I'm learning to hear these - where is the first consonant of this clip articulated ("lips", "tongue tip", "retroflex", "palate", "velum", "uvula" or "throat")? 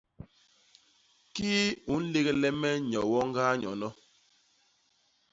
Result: velum